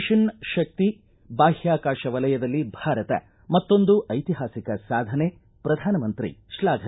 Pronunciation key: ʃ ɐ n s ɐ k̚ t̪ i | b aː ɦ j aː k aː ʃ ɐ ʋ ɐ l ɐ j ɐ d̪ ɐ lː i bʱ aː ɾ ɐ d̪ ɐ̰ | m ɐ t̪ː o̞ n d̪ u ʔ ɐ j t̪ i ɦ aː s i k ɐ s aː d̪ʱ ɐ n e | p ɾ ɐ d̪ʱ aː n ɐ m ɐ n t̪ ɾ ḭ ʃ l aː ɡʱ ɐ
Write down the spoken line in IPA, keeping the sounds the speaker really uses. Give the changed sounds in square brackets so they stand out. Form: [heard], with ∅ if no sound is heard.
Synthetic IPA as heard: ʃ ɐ n [ʃ] ɐ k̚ t̪ i | b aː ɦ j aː k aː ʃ ɐ ʋ ɐ l ɐ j ɐ d̪ ɐ lː i bʱ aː ɾ ɐ [t̪] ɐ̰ | m ɐ t̪ː o̞ n d̪ u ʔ ɐ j t̪ i ɦ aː s i k ɐ s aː d̪ʱ ɐ n e | p ɾ ɐ d̪ʱ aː n ɐ m ɐ n t̪ ɾ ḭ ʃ l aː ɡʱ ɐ